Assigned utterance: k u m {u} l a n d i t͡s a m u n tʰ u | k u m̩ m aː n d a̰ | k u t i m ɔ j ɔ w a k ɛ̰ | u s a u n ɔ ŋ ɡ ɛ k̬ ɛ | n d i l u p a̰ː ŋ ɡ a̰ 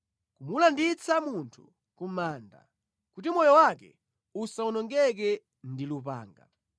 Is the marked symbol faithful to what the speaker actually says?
yes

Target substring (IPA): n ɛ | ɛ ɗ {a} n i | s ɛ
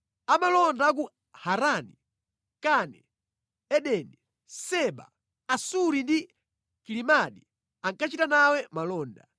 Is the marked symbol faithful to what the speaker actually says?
no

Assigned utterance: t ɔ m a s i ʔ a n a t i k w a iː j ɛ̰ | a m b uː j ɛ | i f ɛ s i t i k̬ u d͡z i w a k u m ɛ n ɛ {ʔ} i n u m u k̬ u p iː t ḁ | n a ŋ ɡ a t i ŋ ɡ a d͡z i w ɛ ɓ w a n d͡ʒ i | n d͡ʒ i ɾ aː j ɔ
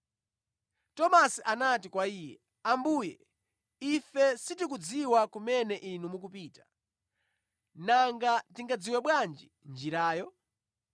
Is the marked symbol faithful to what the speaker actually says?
yes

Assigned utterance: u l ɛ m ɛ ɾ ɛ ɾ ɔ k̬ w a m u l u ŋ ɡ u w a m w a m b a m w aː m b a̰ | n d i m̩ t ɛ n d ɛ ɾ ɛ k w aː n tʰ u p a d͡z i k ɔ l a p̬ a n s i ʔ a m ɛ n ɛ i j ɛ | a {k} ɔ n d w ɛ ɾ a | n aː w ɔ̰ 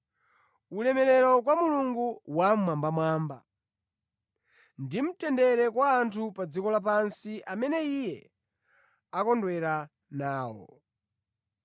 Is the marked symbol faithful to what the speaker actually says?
yes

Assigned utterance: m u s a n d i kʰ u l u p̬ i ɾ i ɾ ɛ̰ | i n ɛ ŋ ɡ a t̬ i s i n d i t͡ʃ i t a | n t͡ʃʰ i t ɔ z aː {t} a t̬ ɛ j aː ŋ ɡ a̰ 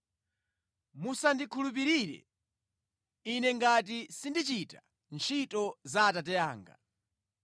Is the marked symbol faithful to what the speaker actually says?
yes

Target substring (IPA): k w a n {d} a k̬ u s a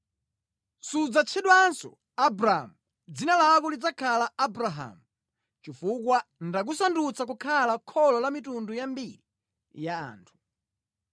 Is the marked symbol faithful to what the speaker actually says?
yes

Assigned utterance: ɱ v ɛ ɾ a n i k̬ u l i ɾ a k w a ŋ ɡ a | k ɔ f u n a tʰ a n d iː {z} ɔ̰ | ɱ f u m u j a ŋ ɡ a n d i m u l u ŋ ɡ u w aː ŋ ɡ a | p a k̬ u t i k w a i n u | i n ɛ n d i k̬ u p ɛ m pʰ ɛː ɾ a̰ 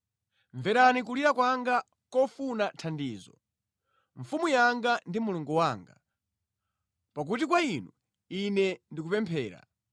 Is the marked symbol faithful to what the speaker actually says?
yes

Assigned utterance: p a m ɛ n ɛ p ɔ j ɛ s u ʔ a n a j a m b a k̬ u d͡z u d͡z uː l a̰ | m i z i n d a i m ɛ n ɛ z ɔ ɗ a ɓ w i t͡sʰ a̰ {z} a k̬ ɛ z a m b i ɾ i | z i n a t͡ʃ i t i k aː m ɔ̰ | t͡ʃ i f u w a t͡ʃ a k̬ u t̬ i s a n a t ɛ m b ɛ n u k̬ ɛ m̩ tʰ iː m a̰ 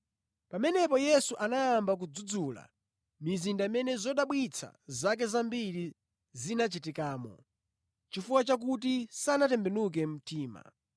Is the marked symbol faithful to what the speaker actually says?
yes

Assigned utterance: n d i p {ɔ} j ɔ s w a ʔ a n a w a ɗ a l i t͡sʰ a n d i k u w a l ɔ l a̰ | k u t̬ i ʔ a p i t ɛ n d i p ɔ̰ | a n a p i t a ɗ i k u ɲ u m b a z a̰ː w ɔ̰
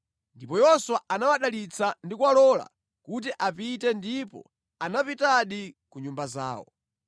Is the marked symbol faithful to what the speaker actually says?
yes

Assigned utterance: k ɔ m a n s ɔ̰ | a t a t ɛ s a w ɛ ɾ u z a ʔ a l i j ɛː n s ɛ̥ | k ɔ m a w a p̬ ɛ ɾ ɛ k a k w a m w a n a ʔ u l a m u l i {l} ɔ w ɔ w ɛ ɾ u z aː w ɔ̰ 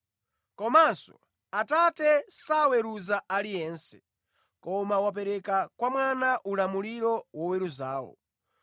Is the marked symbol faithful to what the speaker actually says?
no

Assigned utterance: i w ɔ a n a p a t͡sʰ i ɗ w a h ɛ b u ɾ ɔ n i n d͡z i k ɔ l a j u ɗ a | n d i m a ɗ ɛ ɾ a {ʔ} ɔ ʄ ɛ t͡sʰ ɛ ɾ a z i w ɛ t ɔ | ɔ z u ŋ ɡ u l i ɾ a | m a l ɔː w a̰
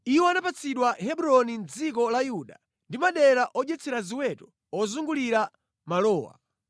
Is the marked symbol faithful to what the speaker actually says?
yes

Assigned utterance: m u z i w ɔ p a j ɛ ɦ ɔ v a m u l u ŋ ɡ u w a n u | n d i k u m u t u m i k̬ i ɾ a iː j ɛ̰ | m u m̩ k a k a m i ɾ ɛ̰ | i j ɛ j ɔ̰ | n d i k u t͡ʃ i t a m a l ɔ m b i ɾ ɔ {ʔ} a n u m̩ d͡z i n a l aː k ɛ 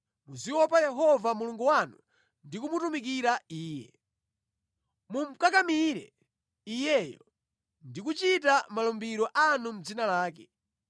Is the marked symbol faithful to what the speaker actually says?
yes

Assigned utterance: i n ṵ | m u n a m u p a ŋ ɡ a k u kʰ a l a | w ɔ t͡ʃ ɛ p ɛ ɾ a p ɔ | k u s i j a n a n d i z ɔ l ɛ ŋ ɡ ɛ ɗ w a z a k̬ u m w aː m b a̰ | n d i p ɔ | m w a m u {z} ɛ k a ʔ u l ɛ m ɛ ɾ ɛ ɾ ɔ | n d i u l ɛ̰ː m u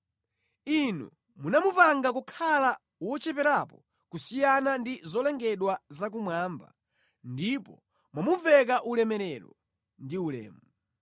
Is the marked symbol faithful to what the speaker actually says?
no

